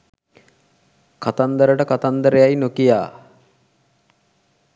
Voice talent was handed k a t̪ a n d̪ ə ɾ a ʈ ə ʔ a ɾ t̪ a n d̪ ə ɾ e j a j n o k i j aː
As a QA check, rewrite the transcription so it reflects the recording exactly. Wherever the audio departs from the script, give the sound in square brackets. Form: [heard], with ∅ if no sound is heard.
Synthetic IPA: k a t̪ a n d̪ ə ɾ [ə] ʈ ə [k] a [∅] t̪ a n d̪ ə ɾ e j a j n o k i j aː